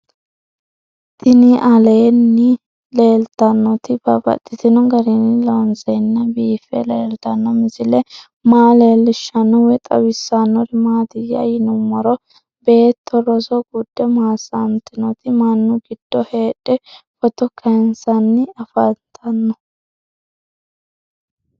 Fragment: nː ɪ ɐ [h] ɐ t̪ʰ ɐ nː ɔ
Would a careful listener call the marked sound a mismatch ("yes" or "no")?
yes